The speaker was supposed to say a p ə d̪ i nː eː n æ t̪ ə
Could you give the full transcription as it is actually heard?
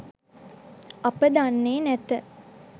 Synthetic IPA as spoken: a p ə d̪ a nː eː n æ t̪ ə